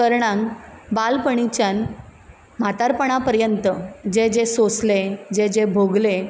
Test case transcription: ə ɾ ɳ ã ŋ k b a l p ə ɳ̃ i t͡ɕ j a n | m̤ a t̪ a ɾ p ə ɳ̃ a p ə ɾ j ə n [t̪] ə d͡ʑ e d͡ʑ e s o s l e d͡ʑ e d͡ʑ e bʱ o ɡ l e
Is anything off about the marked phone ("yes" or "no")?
no